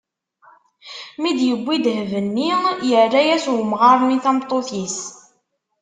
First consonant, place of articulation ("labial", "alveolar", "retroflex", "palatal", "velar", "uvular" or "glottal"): labial